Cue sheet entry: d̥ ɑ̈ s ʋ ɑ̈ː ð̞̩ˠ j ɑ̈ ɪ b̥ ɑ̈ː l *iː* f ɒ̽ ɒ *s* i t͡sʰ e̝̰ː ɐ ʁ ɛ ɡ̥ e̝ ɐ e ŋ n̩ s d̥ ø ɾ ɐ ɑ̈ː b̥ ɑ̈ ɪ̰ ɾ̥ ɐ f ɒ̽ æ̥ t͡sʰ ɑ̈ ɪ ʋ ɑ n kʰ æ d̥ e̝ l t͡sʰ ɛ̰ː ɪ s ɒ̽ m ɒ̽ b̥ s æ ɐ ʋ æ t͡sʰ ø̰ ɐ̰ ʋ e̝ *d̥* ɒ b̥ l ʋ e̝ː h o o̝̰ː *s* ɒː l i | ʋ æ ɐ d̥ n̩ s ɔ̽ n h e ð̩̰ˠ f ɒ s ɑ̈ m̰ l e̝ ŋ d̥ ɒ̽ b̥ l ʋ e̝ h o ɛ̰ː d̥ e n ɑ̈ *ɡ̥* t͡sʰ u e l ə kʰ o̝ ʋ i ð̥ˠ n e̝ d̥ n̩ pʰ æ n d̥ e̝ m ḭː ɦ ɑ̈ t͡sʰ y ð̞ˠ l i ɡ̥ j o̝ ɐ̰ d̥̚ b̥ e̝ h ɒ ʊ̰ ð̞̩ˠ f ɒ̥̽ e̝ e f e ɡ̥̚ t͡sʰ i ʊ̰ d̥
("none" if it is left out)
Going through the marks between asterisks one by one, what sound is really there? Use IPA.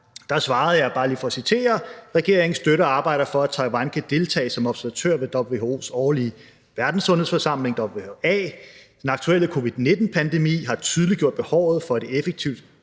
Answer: iː, s, d̥, s, ɡ̥

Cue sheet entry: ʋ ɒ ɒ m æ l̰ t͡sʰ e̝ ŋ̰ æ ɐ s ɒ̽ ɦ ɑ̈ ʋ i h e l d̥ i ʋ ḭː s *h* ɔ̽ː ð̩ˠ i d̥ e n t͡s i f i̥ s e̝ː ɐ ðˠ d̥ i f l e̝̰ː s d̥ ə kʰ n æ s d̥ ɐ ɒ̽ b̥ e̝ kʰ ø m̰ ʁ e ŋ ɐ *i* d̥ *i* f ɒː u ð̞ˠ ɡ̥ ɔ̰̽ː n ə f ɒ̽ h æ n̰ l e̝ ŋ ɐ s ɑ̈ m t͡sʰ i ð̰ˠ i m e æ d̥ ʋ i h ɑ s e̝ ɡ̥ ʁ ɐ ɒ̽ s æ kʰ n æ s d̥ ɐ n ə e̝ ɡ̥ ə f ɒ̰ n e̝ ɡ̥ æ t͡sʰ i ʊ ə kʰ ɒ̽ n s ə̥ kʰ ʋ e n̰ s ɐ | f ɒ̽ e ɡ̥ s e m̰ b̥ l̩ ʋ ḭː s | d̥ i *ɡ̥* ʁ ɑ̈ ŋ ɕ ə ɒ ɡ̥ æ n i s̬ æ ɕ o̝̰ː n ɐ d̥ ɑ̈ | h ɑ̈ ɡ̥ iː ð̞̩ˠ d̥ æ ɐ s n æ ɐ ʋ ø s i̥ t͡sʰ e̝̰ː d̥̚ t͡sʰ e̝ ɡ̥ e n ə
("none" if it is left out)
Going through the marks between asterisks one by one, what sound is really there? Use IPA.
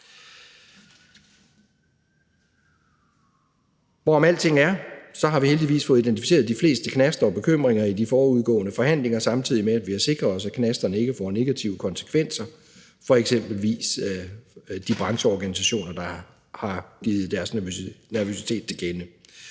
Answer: f, i, i, b̥

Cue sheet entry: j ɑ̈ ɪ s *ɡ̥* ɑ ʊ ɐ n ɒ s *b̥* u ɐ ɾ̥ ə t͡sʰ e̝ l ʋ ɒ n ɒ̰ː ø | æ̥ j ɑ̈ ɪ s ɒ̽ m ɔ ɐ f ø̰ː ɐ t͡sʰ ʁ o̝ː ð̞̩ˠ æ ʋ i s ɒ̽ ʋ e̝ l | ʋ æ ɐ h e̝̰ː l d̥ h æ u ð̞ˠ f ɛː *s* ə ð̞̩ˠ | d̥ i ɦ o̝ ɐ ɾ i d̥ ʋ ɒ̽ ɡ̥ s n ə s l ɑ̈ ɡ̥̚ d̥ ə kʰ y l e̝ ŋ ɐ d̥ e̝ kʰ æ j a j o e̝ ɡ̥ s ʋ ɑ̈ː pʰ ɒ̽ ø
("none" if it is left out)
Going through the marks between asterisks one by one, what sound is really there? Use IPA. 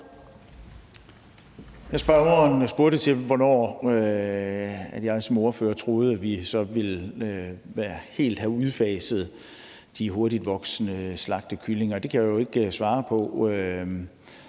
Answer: b̥, b̥, s

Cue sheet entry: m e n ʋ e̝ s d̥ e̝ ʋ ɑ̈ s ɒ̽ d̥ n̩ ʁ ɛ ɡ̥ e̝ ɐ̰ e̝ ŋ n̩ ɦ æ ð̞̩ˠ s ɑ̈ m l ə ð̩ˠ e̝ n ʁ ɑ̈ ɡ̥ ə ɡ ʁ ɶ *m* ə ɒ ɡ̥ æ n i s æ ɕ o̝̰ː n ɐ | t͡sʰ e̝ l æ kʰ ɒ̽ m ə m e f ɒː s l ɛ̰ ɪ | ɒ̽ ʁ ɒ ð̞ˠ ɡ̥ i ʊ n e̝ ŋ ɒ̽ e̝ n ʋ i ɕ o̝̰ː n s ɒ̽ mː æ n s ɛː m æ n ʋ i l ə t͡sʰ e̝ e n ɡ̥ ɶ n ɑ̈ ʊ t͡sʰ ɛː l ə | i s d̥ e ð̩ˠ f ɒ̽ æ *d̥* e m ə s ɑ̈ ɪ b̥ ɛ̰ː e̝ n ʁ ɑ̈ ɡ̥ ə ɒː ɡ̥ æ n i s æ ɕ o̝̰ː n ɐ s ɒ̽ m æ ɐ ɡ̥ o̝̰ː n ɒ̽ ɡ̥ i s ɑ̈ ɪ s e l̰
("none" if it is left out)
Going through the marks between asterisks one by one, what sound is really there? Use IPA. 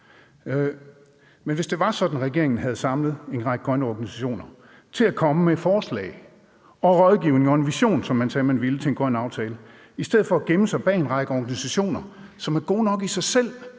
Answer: n, ɡ̥

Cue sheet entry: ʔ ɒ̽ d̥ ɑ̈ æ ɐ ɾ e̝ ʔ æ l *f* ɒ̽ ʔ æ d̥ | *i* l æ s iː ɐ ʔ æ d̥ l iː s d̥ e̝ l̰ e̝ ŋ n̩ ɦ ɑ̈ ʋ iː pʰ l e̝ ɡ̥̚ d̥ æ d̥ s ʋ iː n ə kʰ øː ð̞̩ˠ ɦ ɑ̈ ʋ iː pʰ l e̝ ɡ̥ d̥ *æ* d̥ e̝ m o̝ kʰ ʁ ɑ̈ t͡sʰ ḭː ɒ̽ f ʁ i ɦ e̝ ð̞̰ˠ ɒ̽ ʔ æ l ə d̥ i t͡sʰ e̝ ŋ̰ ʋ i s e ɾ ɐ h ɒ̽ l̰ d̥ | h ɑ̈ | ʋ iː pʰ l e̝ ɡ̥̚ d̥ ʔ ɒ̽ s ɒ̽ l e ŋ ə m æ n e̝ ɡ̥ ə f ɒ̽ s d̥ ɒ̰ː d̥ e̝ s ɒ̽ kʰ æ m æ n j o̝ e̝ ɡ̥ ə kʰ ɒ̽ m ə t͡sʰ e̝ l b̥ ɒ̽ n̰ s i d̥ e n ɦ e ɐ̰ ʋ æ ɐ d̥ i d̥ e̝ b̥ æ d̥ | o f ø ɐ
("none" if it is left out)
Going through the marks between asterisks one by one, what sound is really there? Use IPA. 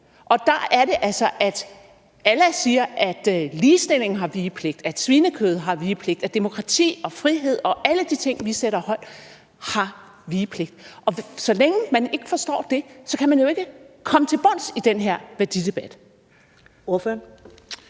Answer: s, æ, æ

